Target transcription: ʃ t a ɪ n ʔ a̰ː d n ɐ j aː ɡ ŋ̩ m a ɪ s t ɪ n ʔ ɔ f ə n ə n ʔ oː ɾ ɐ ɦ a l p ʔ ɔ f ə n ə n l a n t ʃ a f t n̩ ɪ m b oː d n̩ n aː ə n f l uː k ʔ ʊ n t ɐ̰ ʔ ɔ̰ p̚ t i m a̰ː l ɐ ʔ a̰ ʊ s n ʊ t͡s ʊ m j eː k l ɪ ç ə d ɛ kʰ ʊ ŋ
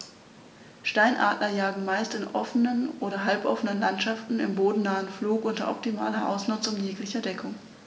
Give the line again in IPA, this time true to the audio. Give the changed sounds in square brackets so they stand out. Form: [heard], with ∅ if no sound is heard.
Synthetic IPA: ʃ t a ɪ n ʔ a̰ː [t] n ɐ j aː ɡ ŋ̩ m a ɪ s t ɪ n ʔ ɔ f ə n ə n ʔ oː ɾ ɐ ɦ a l p ʔ ɔ f ə n ə n l a n t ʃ a f t n̩ ɪ m b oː d n̩ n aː ə n f l uː k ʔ ʊ n t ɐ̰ ʔ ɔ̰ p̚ t i m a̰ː l ɐ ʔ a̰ ʊ s n ʊ t͡s ʊ [ŋ] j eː k l ɪ ç [ɐ] d ɛ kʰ ʊ ŋ